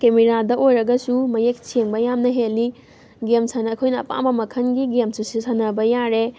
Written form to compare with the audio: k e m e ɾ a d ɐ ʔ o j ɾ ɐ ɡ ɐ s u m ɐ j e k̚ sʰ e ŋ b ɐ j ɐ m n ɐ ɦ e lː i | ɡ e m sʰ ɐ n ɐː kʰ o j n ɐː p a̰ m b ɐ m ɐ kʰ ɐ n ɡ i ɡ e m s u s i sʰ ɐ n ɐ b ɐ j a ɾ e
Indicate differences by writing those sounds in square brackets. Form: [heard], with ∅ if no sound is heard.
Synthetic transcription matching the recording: k e m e ɾ a d ɐ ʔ o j ɾ ɐ ɡ ɐ s u m ɐ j e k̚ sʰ e ŋ b ɐ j [a] m n ɐ ɦ e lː i | ɡ e m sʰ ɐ n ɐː kʰ o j n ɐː p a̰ m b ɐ m ɐ kʰ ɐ n ɡ i ɡ e m s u s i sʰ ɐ n ɐ b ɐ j a ɾ e